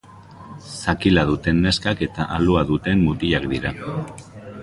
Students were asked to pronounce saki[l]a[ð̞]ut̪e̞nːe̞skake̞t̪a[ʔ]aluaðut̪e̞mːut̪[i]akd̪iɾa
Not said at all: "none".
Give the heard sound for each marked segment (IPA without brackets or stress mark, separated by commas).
l, ð̞, ʔ, i